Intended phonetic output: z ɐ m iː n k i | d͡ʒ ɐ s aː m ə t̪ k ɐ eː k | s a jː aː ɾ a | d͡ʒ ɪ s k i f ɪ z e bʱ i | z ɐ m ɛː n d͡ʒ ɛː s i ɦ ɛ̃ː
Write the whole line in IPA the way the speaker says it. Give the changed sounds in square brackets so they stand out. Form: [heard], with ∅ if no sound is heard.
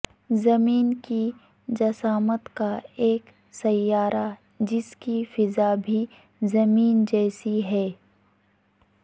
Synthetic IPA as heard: z ɐ m iː n k i | d͡ʒ ɐ s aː m ə t̪ k [a] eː k | s [ɐ] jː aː ɾ a | d͡ʒ ɪ s k i f ɪ z [a] bʱ i | z ɐ m [iː] n d͡ʒ ɛː s i ɦ [ɛː]